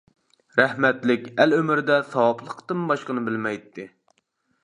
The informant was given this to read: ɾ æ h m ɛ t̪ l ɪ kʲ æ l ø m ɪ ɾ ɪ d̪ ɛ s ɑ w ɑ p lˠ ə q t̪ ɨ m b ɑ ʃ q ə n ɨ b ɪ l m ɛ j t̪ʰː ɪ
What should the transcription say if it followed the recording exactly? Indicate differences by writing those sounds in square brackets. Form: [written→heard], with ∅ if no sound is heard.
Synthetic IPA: ɾ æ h m ɛ t̪ l ɪ kʲ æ l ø m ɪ ɾ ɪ d̪ ɛ s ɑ w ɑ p lˠ ə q t̪ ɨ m b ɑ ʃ q ə n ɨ b ɪ l m ɛ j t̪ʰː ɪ